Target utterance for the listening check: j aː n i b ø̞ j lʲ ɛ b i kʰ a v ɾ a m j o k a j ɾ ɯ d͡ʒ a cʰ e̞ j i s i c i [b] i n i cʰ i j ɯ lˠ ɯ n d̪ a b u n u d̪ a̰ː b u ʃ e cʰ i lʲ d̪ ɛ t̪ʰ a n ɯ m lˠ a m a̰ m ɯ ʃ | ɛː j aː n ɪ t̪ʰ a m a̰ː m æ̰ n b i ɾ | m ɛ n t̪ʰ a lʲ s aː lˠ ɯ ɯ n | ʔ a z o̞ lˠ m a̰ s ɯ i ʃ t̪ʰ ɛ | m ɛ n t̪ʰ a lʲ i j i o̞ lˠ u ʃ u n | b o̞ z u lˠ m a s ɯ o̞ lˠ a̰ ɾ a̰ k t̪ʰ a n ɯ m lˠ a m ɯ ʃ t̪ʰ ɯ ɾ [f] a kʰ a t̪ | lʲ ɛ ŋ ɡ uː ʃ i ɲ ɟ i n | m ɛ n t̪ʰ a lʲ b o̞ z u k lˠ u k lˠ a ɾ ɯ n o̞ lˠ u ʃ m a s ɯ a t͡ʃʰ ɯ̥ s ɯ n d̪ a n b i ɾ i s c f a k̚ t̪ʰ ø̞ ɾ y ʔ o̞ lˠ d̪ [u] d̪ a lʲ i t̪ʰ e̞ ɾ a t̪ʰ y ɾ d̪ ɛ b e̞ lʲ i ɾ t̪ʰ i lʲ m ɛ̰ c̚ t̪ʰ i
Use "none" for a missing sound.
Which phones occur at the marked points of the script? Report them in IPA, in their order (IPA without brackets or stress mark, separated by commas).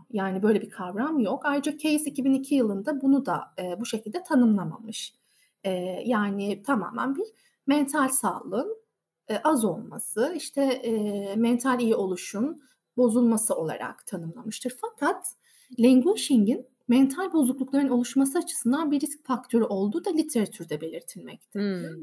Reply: b, f, uː